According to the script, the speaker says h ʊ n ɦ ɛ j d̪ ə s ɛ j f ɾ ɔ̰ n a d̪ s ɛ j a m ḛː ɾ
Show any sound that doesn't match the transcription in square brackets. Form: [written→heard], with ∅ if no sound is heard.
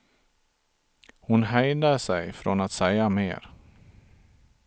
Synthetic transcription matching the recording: h ʊ n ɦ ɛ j d̪ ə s ɛ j f ɾ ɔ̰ n a [d̪→t̪] s ɛ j a m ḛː ɾ